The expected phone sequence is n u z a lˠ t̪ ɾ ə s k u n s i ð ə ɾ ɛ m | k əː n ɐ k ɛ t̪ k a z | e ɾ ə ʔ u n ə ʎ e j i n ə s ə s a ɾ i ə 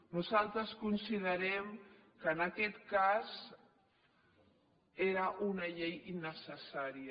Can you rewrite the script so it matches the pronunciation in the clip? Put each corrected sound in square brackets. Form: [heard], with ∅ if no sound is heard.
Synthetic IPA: n u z a lˠ t̪ ɾ ə s k u n s i ð ə ɾ ɛ m | k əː n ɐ k ɛ t̪ k a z | e ɾ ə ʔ u n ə ʎ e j i n ə s ə s a ɾ i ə